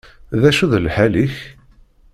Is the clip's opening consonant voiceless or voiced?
voiced